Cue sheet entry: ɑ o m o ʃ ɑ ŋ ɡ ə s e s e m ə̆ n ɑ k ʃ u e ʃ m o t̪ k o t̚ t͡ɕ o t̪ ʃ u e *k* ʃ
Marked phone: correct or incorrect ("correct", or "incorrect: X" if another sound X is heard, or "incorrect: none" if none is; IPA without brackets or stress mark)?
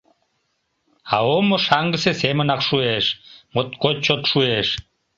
incorrect: none